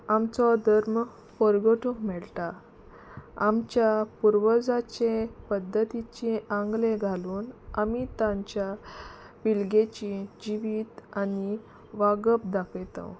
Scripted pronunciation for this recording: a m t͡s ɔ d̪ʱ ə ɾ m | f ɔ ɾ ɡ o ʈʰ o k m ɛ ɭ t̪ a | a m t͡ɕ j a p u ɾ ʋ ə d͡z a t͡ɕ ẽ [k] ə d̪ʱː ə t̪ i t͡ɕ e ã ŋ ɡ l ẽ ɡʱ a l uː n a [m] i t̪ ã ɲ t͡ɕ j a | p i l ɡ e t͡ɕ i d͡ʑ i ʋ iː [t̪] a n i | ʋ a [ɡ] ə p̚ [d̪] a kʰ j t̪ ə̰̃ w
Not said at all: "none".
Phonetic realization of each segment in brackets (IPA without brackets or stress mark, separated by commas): p, m, t̪, ɡ, d̪